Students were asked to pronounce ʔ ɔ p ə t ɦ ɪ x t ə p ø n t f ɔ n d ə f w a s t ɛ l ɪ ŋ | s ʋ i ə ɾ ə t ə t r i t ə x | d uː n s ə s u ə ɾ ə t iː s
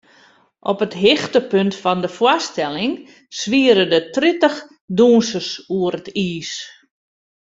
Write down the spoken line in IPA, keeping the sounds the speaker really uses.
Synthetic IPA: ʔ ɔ p ə t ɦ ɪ x t ə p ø n t f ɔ n d ə f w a s t ɛ l ɪ ŋ | s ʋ i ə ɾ ə d ə t r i t ə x | d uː n s ə s u ə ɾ ə t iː s